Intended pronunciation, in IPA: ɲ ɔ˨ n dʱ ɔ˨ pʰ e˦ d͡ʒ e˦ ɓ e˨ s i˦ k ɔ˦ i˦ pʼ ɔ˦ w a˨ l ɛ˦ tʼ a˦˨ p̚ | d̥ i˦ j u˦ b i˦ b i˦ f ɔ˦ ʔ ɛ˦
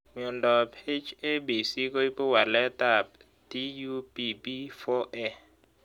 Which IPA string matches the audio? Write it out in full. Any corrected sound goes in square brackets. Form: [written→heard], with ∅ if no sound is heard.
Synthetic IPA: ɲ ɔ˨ n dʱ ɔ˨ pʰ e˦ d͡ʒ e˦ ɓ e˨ s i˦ k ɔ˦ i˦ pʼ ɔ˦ w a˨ l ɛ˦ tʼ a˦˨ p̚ | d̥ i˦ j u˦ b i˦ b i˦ f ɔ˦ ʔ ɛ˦